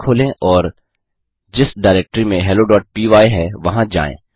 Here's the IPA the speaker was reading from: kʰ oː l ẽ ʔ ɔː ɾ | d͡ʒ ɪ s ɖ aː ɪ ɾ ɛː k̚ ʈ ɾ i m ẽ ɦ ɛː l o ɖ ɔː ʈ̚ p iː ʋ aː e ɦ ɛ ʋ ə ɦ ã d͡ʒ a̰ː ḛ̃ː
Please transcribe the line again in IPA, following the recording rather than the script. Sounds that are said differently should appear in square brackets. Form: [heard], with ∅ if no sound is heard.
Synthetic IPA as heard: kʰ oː l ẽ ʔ ɔː ɾ | d͡ʒ ɪ s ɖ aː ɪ ɾ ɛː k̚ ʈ ɾ i m ẽ ɦ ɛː l o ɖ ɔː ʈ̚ p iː ʋ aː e ɦ ɛ ʋ [ɐ] ɦ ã d͡ʒ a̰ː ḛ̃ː